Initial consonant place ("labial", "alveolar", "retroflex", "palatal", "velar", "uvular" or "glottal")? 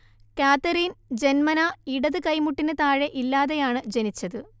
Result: velar